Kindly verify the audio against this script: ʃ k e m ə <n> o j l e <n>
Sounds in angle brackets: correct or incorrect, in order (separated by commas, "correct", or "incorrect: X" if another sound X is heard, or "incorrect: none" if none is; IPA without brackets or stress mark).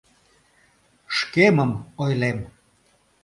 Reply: incorrect: m, incorrect: m